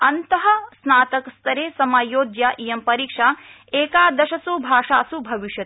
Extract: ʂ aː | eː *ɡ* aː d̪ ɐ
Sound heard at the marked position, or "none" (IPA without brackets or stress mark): k